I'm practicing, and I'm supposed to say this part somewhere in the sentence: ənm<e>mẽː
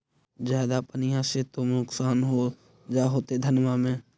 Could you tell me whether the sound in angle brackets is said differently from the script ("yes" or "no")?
yes